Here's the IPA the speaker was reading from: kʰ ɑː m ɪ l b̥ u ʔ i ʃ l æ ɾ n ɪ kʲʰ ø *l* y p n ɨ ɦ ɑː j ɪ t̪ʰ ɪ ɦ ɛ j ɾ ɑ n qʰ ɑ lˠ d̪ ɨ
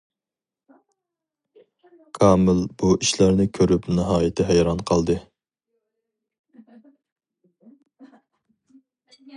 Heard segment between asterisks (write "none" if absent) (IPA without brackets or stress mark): ɾ